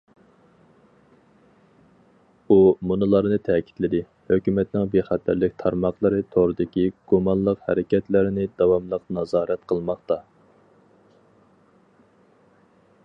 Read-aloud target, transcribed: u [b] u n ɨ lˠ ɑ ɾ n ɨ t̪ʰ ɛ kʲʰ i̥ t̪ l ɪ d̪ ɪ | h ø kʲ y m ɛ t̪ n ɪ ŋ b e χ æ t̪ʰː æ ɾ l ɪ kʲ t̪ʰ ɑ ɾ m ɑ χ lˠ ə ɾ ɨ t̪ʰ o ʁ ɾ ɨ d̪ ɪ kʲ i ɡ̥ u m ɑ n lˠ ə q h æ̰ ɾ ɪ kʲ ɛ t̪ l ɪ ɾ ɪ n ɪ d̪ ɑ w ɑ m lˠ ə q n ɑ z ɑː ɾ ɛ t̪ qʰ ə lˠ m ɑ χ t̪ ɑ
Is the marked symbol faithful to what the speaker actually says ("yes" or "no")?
no